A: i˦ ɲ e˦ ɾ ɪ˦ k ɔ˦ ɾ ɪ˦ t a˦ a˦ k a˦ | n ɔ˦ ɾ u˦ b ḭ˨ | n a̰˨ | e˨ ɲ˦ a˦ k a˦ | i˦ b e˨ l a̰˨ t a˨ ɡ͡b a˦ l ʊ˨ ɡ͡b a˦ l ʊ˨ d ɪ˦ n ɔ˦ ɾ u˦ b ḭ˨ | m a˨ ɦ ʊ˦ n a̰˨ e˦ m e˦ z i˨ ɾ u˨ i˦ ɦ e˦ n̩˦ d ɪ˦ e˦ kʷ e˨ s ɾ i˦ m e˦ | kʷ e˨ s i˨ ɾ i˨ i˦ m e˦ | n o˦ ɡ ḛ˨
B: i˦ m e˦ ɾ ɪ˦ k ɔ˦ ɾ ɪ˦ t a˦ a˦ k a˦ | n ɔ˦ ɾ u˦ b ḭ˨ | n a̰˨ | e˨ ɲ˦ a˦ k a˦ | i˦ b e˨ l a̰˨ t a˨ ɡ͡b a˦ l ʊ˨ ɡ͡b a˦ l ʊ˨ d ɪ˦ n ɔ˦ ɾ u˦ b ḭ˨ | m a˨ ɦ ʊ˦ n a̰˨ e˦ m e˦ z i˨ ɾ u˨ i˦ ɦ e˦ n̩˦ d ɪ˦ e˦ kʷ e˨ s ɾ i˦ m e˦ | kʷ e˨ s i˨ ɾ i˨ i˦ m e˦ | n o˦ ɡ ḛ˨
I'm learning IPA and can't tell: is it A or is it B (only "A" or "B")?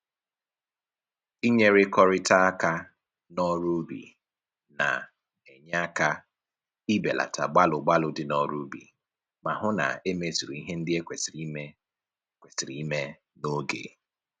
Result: A